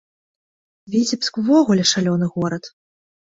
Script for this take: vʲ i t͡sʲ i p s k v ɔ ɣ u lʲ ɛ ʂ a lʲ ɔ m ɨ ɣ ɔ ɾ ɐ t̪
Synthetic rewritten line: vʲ i t͡sʲ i p s k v ɔ ɣ u lʲ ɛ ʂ a lʲ ɔ n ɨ ɣ ɔ ɾ ɐ t̪